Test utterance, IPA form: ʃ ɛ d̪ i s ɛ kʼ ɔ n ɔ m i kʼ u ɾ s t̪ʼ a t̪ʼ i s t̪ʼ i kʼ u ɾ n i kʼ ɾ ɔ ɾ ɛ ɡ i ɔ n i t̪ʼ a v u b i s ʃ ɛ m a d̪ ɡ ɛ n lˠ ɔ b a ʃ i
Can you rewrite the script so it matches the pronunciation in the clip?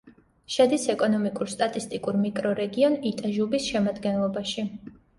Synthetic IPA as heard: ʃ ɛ d̪ i s ɛ kʼ ɔ n ɔ m i kʼ u ɾ s t̪ʼ a t̪ʼ i s t̪ʼ i kʼ u ɾ m i kʼ ɾ ɔ ɾ ɛ ɡ i ɔ n i t̪ʼ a ʒ u b i s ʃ ɛ m a d̪ ɡ ɛ n lˠ ɔ b a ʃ i